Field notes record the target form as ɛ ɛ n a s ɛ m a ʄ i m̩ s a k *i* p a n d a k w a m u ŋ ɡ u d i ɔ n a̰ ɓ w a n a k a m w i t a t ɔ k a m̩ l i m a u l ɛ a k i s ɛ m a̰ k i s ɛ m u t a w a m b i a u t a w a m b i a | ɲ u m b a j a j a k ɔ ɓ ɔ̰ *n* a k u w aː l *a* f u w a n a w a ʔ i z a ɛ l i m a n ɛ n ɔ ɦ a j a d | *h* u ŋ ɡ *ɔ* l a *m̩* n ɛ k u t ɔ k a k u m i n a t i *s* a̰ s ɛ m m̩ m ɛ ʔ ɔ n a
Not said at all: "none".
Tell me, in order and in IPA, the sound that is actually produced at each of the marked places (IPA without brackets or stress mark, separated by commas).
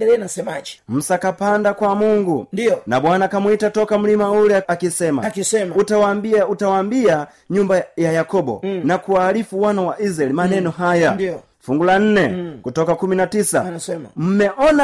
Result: a, n, i, f, u, n̩, s